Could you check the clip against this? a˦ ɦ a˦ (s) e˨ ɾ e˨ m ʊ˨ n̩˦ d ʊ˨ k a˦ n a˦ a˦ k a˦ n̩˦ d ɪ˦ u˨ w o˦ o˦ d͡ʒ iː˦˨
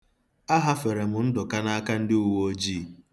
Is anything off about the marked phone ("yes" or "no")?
yes